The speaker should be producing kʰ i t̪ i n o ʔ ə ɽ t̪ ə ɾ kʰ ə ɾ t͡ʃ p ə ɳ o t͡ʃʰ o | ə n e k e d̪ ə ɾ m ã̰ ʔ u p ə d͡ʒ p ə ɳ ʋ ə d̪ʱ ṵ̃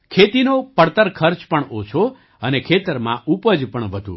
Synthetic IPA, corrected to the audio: kʰ e t̪ i n o p ə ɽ t̪ ə ɾ kʰ ə ɾ t͡ʃ p ə ɳ o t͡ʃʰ o | ə n e kʰ e t̪ ə ɾ m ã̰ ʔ u p ə d͡ʒ p ə ɳ ʋ ə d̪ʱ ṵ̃